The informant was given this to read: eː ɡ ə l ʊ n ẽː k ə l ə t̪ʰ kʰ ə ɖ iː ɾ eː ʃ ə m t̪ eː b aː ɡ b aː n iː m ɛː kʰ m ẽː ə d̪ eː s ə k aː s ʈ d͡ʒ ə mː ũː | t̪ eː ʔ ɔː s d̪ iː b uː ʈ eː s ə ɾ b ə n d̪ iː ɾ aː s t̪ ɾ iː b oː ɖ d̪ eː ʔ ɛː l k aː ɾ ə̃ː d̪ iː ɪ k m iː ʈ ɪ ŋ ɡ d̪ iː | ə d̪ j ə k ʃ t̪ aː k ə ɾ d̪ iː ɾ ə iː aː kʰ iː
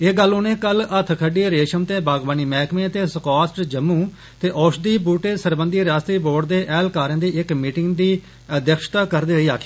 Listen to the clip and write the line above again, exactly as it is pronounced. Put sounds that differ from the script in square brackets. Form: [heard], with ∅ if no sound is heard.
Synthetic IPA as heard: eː ɡ ə l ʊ n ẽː k ə l ə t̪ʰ kʰ ə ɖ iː ɾ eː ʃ ə m t̪ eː b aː ɡ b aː n iː m ɛː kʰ m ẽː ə [t̪] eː s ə k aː s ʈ d͡ʒ ə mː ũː | t̪ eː ʔ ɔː [ʃ] d̪ iː b uː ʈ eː s ə ɾ b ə n d̪ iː ɾ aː s t̪ ɾ iː b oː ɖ d̪ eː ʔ ɛː l k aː ɾ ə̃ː d̪ iː ɪ k m iː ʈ ɪ ŋ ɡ d̪ iː | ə d̪ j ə k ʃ t̪ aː k ə ɾ d̪ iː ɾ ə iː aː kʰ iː